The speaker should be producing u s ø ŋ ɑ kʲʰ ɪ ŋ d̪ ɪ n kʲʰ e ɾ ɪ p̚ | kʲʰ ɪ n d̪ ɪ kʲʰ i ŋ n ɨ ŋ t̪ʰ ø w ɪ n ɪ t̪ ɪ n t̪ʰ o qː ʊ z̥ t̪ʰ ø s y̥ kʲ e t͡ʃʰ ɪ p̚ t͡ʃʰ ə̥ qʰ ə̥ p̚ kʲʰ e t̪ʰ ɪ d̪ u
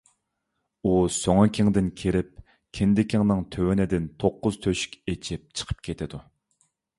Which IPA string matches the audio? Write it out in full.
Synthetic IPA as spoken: u s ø ŋ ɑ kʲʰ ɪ ŋ d̪ ɪ n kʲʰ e ɾ ɪ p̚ | kʲʰ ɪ n d̪ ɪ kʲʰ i ŋ n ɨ ŋ t̪ʰ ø w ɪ n ɪ d̪ ɪ n t̪ʰ o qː ʊ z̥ t̪ʰ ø ʃ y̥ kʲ e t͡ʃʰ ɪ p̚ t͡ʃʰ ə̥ qʰ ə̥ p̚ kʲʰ e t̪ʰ ɪ d̪ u